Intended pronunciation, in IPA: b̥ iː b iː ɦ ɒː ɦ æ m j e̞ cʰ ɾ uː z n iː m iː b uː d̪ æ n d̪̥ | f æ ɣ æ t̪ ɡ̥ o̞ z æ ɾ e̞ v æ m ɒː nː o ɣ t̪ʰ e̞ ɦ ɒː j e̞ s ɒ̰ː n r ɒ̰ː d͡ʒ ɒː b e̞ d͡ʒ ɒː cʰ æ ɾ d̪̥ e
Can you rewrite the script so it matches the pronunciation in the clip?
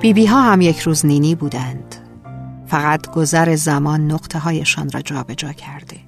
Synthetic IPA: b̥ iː b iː ɦ ɒː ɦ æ m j e̞ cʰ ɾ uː z n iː n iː b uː d̪ æ n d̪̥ | f æ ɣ æ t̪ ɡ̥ o̞ z æ ɾ e̞ z æ m ɒː nː o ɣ t̪ʰ e̞ ɦ ɒː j e̞ ʃ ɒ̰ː n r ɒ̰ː d͡ʒ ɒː b e̞ d͡ʒ ɒː cʰ æ ɾ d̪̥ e